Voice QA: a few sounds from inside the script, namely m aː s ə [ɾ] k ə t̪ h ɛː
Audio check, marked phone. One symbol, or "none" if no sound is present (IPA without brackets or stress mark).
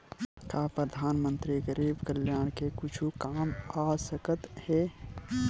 none